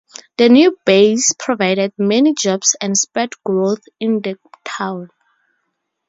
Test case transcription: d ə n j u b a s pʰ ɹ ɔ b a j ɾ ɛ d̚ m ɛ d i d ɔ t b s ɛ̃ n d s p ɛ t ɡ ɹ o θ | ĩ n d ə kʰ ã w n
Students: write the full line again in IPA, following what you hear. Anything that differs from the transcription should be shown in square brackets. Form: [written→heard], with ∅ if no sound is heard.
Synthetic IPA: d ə n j u b [a→e] s pʰ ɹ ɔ [b→v] a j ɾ ɛ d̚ m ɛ [d→n] i [d→d͡ʒ] ɔ [t→∅] b s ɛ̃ n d s p ɛ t ɡ ɹ o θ | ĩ n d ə [kʰ→tʰ] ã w n